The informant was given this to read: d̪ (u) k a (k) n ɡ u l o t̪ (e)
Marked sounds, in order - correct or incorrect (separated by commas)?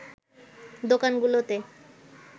incorrect, incorrect, correct